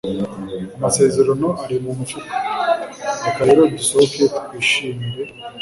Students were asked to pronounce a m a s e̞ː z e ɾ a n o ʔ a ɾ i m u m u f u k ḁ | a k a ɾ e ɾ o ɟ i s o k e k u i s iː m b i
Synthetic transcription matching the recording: a m a s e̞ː z e ɾ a n o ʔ a ɾ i m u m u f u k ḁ | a k a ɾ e ɾ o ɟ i s o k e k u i ʃ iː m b e